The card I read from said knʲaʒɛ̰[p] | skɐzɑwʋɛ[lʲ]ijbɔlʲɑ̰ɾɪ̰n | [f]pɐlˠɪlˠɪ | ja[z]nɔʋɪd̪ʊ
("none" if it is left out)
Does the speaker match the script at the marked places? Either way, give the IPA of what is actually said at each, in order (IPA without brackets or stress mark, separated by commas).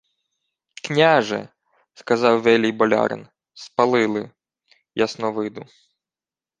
none, lʲ, s, s